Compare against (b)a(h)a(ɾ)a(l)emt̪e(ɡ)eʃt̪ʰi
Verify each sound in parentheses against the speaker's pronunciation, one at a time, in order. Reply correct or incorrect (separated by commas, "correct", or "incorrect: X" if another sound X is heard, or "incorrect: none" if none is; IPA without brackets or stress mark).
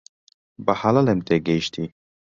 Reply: correct, correct, incorrect: l, correct, correct